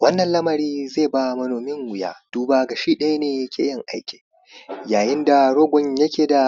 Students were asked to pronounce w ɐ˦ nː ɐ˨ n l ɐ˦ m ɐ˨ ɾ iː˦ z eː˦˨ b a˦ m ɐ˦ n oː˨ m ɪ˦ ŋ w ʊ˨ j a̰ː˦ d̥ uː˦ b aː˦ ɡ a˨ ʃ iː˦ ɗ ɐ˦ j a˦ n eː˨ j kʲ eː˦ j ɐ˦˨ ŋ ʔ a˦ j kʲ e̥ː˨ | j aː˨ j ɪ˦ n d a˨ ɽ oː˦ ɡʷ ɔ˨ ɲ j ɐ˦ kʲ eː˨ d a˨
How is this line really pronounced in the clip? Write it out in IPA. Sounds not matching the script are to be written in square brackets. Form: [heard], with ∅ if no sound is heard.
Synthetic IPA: w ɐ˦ nː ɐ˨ n l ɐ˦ m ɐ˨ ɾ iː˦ z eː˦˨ b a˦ m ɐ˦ n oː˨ m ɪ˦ ŋ w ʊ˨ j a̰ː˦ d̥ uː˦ b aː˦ ɡ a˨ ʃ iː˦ ɗ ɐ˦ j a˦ n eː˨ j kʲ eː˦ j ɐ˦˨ ŋ ʔ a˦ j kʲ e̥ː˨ | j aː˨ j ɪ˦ n d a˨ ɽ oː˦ ɡʷ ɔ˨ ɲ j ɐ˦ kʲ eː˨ d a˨